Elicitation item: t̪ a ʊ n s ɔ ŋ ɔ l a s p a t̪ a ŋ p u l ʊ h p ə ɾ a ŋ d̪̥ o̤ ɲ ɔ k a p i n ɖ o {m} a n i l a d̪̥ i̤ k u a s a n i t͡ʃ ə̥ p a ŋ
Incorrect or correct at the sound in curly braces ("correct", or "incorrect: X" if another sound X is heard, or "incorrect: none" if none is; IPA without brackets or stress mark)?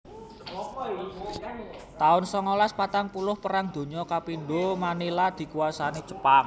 correct